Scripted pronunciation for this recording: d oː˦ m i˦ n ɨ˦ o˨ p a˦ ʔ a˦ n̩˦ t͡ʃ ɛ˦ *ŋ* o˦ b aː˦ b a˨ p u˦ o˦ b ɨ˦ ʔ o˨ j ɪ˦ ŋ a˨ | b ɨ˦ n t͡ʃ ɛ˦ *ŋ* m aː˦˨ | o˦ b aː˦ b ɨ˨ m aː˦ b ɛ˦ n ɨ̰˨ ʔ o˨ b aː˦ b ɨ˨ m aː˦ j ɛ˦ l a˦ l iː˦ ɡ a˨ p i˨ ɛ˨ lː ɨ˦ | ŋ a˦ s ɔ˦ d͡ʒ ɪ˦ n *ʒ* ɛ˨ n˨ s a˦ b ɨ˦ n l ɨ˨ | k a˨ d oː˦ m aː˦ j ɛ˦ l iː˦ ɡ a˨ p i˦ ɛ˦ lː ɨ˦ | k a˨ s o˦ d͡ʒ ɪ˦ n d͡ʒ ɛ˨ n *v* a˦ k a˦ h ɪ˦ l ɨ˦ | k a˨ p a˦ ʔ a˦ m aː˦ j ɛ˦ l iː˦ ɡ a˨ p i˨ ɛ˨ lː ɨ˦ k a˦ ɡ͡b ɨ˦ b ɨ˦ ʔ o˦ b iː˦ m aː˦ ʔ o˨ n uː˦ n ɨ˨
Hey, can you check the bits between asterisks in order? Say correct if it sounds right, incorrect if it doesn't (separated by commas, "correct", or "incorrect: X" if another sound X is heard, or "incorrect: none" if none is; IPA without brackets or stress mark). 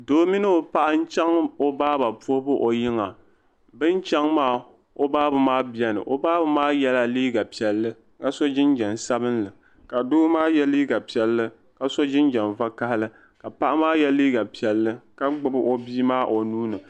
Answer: correct, correct, incorrect: d͡ʒ, correct